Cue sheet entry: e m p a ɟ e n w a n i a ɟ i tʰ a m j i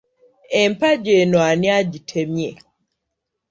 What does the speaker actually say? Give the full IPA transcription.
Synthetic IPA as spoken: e m p a ɟ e n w a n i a ɟ i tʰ e m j e